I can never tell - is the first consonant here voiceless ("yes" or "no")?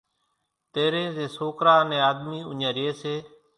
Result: yes